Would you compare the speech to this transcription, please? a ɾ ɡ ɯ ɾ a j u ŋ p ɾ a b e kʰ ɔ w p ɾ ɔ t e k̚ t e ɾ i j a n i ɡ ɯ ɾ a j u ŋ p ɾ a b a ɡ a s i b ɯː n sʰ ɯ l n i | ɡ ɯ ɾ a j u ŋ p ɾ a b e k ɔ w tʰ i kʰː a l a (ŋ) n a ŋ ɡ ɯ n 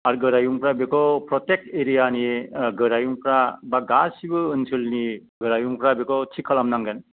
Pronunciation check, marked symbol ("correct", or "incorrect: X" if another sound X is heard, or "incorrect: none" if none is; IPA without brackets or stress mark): incorrect: m